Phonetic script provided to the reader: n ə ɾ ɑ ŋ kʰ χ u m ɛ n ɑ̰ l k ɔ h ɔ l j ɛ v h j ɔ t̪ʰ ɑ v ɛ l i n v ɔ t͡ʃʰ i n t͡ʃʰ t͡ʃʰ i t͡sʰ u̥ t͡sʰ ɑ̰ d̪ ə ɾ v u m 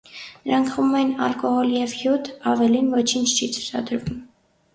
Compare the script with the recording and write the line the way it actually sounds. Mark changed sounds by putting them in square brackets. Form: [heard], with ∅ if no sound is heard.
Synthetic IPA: n ə ɾ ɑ ŋ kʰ χ u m ɛ n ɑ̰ l k ɔ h ɔ l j ɛ v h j [u] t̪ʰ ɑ v ɛ l i n v ɔ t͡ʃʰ i n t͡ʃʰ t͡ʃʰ i t͡sʰ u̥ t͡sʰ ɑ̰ d̪ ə ɾ v u m